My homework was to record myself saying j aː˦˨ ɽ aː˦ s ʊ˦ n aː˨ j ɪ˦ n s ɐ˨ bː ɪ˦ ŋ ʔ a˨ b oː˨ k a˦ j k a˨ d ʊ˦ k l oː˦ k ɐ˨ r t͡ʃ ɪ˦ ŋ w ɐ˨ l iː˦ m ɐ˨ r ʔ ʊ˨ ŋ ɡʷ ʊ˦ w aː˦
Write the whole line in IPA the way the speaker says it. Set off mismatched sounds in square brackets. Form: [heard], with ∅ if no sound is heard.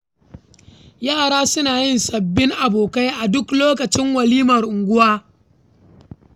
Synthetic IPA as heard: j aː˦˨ ɽ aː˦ s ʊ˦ n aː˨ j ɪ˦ n s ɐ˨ bː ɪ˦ ŋ ʔ a˨ b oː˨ k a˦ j [ʔ] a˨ d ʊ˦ k l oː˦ k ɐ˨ [∅] t͡ʃ ɪ˦ ŋ w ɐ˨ l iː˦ m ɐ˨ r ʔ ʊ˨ ŋ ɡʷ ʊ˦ w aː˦